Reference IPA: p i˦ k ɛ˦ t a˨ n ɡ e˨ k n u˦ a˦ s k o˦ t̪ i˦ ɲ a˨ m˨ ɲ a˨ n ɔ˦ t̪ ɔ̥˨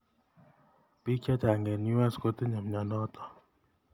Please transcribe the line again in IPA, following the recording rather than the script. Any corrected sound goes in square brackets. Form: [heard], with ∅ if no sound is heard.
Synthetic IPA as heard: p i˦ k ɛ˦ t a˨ [ŋ] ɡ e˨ [∅] n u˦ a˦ s k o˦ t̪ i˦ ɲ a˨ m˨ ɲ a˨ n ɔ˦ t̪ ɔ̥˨